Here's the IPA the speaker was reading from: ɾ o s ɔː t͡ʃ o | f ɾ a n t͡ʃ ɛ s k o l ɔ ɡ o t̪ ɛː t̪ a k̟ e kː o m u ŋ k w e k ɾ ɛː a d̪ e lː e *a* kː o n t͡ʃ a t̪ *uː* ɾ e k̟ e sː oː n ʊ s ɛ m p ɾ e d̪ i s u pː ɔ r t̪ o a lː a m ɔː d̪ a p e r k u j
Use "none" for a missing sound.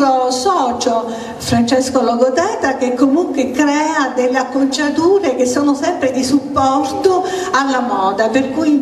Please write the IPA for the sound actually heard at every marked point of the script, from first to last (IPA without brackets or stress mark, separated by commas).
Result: a, uː